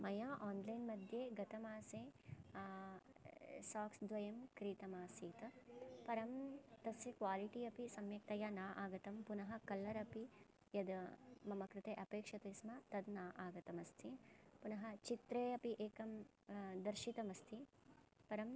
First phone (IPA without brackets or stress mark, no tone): m